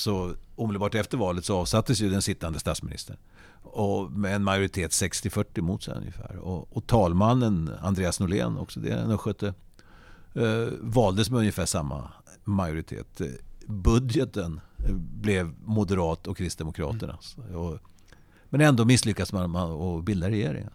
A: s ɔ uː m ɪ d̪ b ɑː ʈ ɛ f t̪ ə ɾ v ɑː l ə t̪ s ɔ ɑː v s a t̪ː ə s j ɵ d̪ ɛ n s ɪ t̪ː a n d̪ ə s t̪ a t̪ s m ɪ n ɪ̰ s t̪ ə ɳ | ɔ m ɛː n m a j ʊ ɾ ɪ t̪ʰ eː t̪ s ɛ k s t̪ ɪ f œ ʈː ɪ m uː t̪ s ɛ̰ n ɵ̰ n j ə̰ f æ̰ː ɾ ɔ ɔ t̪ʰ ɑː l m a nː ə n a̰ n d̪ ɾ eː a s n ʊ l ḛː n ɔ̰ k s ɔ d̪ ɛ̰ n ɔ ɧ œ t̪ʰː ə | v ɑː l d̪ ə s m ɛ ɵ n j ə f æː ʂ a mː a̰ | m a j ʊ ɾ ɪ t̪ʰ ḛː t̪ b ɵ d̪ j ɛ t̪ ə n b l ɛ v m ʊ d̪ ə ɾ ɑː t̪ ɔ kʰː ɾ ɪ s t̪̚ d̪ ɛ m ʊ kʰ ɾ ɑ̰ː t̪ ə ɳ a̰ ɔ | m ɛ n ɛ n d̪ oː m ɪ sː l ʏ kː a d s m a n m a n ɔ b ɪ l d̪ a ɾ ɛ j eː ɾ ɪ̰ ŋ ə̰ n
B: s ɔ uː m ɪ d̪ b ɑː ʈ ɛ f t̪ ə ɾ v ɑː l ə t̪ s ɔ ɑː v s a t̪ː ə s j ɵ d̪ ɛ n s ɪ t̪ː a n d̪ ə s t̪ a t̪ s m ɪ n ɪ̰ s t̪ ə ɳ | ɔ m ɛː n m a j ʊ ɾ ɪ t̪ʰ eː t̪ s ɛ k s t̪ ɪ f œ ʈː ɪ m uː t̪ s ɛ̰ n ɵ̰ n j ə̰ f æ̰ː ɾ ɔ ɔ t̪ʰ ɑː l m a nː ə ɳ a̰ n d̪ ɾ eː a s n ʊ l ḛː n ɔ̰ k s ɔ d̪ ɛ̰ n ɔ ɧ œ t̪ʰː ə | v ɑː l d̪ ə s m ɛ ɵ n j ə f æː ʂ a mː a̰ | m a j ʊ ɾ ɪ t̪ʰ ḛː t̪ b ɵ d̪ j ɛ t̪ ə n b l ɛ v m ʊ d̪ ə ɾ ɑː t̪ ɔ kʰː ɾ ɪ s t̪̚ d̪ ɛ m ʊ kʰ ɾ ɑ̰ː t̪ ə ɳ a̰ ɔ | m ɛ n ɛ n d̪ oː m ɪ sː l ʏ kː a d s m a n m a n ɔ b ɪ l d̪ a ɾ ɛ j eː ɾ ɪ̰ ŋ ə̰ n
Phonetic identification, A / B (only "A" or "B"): A